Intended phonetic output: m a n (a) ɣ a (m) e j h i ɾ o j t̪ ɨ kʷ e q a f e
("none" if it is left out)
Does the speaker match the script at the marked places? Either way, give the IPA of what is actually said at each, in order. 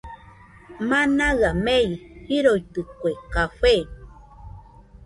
a, m

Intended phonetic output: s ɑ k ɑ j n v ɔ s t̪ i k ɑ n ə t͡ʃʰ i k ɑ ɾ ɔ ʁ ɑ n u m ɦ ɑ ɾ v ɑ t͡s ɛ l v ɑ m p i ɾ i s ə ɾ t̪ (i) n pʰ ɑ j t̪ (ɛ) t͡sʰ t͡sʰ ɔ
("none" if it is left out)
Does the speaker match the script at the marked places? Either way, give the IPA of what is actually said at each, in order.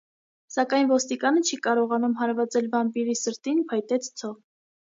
i, ɛ

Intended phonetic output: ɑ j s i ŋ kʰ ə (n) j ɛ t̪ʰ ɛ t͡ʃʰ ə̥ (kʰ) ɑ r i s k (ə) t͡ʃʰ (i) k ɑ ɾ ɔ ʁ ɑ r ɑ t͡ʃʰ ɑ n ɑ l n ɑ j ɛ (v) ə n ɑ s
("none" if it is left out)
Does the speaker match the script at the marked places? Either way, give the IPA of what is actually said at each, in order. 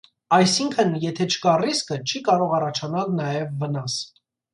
n, k, ə, i, vː

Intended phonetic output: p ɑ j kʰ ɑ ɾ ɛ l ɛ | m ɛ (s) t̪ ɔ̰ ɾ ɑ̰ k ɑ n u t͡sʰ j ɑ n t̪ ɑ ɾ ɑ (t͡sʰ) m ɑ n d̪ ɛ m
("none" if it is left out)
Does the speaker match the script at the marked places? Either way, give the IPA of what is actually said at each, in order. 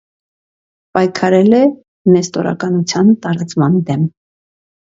s, t͡s

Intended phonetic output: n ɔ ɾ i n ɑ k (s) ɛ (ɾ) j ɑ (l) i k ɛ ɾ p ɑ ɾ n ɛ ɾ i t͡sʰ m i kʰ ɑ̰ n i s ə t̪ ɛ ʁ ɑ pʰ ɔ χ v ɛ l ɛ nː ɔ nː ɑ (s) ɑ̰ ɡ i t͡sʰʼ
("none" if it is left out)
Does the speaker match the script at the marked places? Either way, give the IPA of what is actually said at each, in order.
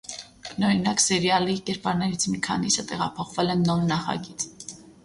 s, ɾ, l, χ

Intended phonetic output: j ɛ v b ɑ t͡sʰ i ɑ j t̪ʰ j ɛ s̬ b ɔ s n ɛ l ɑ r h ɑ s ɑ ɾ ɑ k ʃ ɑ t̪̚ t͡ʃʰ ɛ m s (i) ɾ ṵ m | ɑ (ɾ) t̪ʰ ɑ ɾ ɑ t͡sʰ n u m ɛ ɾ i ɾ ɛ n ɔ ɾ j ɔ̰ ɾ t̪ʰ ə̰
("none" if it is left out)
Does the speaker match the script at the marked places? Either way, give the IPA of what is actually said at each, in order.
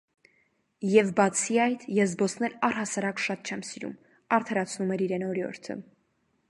i, ɾ

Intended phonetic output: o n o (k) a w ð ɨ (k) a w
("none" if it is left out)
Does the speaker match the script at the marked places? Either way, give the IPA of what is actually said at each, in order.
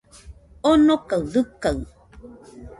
k, k

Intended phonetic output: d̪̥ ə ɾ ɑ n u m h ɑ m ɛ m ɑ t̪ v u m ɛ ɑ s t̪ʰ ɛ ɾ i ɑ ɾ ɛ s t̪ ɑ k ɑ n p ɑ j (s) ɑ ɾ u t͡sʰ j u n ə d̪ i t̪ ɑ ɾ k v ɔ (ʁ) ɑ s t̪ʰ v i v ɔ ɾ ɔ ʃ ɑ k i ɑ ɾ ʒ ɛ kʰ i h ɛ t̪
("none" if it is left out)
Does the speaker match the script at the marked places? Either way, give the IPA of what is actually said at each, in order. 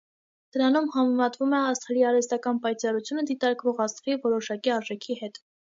t͡s, ʁ

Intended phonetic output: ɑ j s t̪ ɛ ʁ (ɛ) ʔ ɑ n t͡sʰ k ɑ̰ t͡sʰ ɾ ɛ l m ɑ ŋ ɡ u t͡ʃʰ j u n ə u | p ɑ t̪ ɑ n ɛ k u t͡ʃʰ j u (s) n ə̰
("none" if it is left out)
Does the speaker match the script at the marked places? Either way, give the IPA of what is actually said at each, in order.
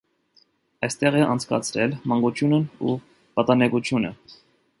ɛ, none

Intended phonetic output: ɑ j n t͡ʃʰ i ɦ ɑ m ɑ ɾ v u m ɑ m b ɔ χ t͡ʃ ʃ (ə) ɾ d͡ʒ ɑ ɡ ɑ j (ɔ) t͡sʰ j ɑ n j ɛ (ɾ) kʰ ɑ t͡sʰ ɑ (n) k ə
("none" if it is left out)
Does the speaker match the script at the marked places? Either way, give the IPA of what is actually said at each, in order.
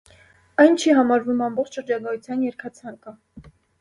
ə, u, ɾ, ŋ

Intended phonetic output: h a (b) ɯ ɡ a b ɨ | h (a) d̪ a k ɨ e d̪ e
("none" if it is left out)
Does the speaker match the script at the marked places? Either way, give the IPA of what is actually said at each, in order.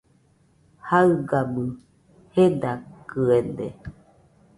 none, e

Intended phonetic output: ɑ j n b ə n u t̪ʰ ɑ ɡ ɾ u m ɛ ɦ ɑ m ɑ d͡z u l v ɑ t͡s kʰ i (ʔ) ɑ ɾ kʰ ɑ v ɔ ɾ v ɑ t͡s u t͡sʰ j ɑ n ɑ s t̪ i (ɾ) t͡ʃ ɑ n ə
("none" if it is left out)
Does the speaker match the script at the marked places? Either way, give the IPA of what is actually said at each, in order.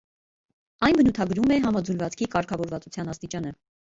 k, none

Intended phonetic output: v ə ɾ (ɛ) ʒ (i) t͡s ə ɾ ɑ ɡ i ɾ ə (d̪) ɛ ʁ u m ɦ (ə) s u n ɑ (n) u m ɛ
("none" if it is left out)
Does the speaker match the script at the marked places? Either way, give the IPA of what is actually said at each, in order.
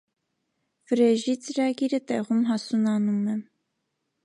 ɛ, i, t̪, ɑ, n

